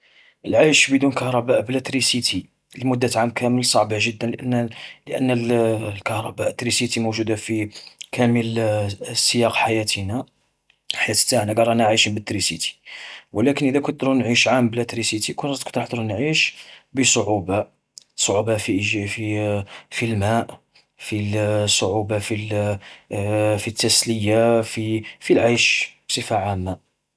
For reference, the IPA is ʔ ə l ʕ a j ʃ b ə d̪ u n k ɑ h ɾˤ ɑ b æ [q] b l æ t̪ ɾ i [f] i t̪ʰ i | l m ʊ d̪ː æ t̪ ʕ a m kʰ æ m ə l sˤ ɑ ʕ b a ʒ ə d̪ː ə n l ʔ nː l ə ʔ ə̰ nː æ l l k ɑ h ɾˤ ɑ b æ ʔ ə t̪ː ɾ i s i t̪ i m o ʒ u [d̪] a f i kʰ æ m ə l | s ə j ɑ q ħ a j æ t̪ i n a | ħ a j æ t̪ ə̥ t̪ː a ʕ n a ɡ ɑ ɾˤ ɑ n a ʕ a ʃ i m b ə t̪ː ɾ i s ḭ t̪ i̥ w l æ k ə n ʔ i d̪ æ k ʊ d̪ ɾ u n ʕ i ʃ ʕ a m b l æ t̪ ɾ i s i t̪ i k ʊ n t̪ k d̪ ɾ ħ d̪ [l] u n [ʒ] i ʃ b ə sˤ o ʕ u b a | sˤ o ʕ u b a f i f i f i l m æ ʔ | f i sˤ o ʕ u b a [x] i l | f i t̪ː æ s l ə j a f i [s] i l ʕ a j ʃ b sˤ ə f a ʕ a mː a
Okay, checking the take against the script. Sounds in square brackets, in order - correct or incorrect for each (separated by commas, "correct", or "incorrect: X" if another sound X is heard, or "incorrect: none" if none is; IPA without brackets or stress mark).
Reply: incorrect: ʔ, incorrect: s, correct, incorrect: ɾ, incorrect: ʕ, incorrect: f, incorrect: f